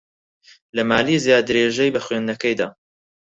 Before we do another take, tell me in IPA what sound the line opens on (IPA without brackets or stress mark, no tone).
l